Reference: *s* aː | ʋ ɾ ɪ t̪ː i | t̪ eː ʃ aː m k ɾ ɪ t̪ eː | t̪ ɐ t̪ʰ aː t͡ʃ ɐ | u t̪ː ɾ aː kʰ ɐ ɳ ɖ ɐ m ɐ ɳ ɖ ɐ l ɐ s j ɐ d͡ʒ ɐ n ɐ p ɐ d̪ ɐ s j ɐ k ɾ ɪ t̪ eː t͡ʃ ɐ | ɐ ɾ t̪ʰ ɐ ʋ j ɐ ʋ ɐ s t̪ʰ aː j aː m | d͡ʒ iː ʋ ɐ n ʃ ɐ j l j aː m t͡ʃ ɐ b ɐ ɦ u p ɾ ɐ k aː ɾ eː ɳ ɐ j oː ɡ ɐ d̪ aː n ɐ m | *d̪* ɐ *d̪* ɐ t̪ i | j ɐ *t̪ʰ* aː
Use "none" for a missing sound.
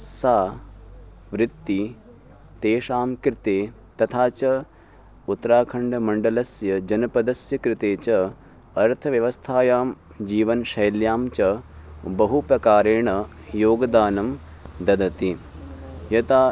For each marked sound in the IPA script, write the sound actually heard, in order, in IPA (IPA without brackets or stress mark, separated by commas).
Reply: s, d̪, d̪, t̪